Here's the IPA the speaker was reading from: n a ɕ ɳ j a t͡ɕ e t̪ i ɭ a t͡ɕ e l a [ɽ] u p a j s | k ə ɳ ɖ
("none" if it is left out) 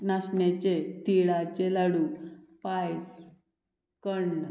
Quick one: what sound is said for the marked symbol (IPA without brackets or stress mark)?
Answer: ɽ